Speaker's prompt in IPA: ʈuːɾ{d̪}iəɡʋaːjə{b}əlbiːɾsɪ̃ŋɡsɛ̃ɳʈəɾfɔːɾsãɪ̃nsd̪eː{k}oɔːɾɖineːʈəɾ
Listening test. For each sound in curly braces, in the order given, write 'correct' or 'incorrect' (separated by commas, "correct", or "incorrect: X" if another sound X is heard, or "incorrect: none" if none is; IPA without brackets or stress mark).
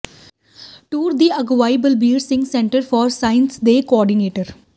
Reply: correct, correct, correct